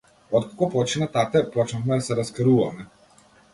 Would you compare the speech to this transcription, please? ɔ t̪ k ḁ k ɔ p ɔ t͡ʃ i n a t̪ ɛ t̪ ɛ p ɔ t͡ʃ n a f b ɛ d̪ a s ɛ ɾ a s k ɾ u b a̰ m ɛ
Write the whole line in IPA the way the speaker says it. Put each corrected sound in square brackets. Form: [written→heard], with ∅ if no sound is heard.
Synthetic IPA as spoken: ɔ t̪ k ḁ k ɔ p ɔ t͡ʃ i n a t̪ [ɛ→a] t̪ ɛ p ɔ t͡ʃ n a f [b→m] ɛ d̪ a s ɛ ɾ a s k ɾ u [b→v] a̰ m ɛ